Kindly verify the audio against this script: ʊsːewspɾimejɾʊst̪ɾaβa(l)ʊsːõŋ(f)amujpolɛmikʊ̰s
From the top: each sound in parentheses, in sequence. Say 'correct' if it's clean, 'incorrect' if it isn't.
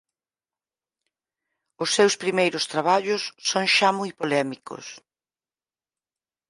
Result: incorrect, incorrect

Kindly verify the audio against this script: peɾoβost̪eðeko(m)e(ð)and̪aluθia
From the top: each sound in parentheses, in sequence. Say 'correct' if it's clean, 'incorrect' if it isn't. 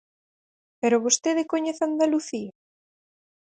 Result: incorrect, incorrect

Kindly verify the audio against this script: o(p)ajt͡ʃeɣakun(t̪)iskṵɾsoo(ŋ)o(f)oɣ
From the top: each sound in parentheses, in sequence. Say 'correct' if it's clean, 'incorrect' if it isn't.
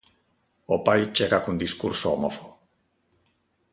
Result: correct, incorrect, incorrect, correct

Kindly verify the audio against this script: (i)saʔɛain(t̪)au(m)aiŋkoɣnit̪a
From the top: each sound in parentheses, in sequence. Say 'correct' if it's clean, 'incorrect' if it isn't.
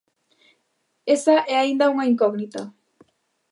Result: incorrect, incorrect, incorrect

